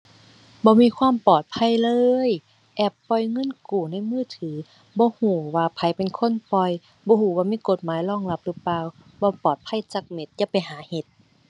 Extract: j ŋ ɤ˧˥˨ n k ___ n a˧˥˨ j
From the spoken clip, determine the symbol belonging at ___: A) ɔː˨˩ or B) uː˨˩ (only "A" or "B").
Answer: B